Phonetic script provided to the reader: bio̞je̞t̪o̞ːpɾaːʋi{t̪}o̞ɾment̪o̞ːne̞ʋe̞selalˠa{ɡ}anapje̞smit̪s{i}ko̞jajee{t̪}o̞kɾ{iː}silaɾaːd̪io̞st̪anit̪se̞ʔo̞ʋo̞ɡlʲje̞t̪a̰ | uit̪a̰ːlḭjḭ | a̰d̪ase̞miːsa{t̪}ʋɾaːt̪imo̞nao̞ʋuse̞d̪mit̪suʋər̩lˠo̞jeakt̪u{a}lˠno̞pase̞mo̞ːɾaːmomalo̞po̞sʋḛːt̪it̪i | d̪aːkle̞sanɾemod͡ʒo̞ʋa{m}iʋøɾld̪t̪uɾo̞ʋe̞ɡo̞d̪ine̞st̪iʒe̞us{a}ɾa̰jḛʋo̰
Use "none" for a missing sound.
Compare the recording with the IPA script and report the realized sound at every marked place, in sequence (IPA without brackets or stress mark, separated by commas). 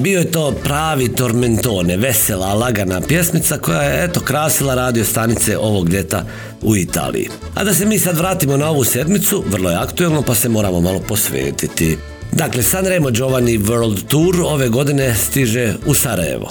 t̪, ɡ, a, t̪, aː, d̪, e, n, a